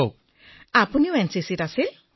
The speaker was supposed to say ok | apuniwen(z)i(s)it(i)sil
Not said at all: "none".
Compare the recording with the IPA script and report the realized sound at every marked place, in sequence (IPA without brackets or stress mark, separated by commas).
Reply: s, s, a